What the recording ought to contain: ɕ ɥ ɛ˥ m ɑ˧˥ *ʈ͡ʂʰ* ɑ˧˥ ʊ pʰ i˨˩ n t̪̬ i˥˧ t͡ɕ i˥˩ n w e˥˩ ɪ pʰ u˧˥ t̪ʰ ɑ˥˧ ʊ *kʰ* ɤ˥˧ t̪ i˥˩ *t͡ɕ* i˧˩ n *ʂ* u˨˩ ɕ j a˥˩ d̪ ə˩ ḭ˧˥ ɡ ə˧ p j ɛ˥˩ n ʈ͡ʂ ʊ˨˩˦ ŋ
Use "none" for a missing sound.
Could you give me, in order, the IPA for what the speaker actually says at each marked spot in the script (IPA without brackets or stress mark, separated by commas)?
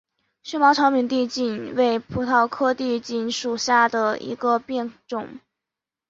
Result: ʈ͡ʂʰ, kʰ, t͡ɕ, ʂ